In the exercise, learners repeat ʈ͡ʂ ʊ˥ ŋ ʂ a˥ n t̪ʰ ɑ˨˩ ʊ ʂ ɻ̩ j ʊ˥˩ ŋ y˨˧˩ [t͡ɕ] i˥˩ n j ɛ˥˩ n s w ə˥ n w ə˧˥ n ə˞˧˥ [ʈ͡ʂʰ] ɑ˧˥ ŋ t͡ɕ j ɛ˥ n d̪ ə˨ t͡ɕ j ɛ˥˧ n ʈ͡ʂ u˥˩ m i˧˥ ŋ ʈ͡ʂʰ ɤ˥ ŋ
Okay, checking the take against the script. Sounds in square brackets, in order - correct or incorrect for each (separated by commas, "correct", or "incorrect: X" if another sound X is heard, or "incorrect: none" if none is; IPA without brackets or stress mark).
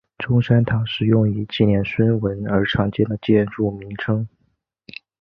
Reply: correct, correct